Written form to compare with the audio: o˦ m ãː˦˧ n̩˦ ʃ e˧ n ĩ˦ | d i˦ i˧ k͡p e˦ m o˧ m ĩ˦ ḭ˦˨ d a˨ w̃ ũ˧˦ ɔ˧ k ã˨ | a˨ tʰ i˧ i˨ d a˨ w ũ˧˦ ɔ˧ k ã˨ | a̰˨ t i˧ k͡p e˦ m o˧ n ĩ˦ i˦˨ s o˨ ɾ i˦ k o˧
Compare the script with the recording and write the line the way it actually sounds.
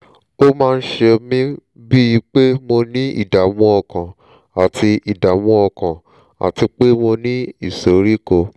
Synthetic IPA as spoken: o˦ m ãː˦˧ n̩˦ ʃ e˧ m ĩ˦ | b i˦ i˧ k͡p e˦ m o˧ n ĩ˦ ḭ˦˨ d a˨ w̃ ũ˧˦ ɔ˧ k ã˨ | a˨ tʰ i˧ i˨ d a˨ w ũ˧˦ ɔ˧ k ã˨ | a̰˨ t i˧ k͡p e˦ m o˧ n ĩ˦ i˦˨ s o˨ ɾ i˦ k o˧